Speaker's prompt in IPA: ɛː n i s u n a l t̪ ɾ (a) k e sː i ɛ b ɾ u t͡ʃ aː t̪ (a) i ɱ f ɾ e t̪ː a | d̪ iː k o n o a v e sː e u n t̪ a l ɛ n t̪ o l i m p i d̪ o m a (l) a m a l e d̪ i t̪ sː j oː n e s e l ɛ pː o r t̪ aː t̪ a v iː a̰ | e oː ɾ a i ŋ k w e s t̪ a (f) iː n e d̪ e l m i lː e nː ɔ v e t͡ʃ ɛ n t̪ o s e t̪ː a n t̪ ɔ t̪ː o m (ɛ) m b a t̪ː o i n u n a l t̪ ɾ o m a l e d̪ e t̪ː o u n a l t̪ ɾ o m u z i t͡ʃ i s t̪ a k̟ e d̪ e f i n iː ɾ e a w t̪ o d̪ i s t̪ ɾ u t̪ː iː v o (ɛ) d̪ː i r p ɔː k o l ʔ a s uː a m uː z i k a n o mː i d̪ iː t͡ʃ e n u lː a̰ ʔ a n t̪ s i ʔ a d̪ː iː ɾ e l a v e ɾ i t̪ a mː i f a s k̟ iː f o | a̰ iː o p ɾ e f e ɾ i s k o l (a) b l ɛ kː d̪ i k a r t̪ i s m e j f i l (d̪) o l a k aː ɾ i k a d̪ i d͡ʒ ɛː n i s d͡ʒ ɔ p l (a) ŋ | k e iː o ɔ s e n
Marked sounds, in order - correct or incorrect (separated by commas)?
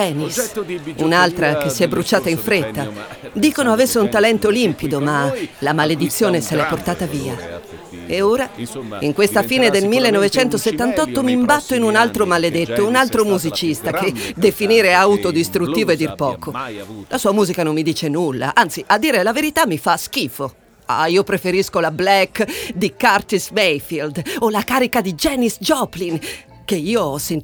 correct, correct, correct, correct, incorrect, incorrect, correct, correct, incorrect